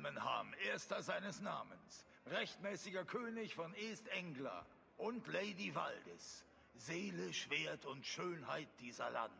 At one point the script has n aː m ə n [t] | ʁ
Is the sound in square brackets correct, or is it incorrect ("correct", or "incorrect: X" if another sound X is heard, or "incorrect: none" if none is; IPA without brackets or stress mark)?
incorrect: s